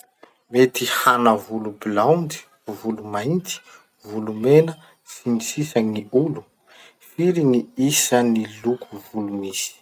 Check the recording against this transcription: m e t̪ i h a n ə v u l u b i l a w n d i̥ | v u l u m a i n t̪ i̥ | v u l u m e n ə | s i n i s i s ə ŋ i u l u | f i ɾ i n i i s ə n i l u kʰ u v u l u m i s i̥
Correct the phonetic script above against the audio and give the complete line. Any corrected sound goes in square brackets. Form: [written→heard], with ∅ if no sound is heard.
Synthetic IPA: m e t̪ i h a n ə v u l u b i l a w n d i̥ | v u l u m a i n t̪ i̥ | v u l u m e n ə | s i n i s i s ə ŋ i u l u | f i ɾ i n i i s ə n i l u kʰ u v u l u m i s i̥